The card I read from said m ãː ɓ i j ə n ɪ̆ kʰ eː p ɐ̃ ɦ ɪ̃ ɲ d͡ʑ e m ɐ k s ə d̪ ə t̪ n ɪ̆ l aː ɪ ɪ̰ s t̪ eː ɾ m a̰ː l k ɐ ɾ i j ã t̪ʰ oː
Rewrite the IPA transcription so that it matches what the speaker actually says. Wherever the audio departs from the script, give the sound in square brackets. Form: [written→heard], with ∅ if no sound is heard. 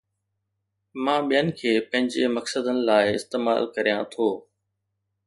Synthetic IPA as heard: m ãː ɓ i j ə n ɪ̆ kʰ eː p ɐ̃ ɦ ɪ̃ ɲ d͡ʑ e m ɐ k s ə d̪ ə [t̪→∅] n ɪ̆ l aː ɪ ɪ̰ s t̪ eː [ɾ→∅] m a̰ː l k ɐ ɾ i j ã t̪ʰ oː

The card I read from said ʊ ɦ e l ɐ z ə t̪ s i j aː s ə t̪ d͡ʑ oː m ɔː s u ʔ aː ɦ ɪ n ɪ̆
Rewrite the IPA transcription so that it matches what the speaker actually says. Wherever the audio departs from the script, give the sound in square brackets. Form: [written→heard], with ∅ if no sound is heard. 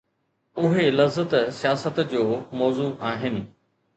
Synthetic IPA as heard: ʊ ɦ e l ɐ z ə t̪ s i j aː s ə t̪ d͡ʑ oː m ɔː [s→z] u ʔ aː ɦ ɪ n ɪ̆

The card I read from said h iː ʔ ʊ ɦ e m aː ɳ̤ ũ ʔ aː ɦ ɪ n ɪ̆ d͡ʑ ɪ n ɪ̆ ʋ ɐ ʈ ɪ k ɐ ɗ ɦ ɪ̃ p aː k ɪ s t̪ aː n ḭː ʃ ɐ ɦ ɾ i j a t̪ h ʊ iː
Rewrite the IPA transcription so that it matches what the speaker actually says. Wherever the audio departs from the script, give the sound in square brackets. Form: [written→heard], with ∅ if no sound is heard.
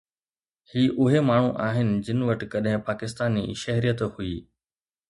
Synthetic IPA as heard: h iː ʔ ʊ ɦ e m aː ɳ̤ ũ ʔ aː ɦ ɪ n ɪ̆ d͡ʑ ɪ n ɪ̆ ʋ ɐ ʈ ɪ k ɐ ɗ ɦ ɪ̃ p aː k ɪ s t̪ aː n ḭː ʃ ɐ ɦ ɾ i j [a→ə] t̪ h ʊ iː

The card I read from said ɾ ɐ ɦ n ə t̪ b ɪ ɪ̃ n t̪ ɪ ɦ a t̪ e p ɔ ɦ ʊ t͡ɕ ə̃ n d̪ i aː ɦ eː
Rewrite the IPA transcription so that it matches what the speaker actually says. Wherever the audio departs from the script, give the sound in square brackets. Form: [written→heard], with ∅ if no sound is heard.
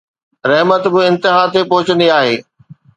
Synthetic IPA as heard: ɾ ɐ ɦ [n→m] ə t̪ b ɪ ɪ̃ n t̪ ɪ ɦ a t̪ e p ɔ ɦ ʊ t͡ɕ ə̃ n d̪ i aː ɦ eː

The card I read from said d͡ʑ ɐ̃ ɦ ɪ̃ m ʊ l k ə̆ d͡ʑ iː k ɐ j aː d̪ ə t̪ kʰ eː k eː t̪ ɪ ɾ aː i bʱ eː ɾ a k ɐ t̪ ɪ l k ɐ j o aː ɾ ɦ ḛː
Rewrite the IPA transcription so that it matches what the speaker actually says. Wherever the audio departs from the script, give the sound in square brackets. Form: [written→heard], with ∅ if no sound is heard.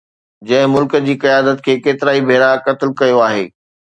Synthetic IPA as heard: d͡ʑ ɐ̃ ɦ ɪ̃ m ʊ l k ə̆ d͡ʑ iː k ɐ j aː d̪ ə t̪ kʰ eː k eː t̪ ɪ ɾ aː i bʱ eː ɾ a k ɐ t̪ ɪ l k ɐ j o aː [ɾ→∅] ɦ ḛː

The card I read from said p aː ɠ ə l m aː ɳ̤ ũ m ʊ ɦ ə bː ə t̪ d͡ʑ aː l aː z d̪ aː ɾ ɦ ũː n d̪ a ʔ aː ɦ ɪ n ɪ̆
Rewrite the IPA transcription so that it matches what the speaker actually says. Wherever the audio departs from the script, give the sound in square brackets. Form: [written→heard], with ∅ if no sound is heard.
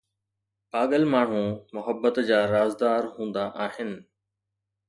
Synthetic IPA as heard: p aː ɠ ə l m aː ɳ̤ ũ m ʊ ɦ ə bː ə t̪ d͡ʑ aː [l→ɾ] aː z d̪ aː ɾ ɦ ũː n d̪ a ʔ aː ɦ ɪ n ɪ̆

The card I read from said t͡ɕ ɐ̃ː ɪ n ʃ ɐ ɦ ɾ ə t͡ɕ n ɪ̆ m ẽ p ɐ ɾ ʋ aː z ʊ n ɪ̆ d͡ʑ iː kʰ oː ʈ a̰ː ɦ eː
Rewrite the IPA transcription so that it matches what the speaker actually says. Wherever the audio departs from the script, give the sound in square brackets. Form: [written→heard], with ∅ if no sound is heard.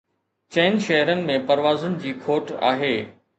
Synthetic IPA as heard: t͡ɕ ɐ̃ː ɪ n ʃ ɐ ɦ ɾ ə [t͡ɕ→∅] n ɪ̆ m ẽ p ɐ ɾ ʋ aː z ʊ n ɪ̆ d͡ʑ iː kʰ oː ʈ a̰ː ɦ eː

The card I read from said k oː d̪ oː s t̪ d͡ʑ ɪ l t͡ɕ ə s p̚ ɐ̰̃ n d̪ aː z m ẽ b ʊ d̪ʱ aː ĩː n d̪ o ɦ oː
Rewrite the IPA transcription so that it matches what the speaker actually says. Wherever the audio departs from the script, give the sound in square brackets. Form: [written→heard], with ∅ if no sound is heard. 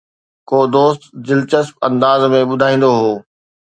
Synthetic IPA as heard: k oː d̪ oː s t̪ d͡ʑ ɪ l t͡ɕ ə s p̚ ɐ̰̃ n d̪ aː z m ẽ [b→ɓ] ʊ d̪ʱ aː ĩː n d̪ o ɦ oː

